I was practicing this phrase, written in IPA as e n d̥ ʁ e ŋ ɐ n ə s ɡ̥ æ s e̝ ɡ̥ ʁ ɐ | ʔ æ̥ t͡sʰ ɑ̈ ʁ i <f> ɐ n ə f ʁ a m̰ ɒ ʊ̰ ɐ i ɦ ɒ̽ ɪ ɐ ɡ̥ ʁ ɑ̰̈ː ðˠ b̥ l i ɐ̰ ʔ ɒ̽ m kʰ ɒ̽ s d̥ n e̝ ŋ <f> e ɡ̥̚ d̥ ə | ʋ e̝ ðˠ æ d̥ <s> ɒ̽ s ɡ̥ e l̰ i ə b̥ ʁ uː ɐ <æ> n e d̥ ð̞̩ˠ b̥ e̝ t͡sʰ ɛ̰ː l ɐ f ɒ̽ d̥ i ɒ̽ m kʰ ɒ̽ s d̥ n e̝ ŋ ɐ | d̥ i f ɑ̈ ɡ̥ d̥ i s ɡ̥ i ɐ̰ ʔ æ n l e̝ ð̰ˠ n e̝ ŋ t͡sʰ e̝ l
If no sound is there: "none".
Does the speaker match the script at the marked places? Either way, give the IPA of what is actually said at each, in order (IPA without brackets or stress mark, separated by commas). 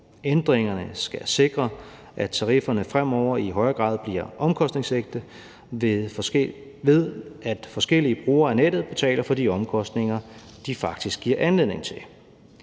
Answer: f, s, f, æ